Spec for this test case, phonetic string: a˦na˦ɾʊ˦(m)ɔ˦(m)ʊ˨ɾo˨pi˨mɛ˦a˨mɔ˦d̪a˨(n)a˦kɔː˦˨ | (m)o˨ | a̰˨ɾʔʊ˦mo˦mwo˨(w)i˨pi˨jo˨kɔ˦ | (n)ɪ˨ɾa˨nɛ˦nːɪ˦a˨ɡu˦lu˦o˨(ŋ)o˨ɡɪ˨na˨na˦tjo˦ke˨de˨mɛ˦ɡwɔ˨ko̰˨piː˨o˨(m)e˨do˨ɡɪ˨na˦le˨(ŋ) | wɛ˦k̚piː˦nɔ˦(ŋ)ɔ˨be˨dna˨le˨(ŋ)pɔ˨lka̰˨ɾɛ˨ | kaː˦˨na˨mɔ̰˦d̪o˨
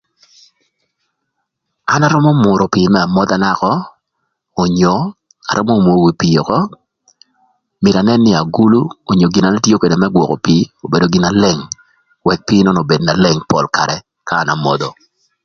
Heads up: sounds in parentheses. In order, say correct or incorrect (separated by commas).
correct, correct, correct, incorrect, correct, incorrect, incorrect, incorrect, correct, incorrect, correct